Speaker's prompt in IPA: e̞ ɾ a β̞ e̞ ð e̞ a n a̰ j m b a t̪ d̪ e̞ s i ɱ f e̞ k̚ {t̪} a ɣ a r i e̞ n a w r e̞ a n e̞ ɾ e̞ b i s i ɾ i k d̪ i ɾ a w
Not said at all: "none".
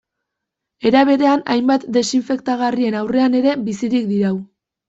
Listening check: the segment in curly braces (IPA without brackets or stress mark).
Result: t̪